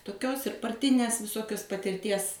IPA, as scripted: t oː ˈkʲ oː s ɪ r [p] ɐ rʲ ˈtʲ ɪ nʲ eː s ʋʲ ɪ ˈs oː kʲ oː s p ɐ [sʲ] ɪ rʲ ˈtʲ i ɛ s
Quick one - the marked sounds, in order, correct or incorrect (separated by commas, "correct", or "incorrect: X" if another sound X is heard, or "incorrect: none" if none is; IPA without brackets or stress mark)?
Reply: correct, incorrect: tʲ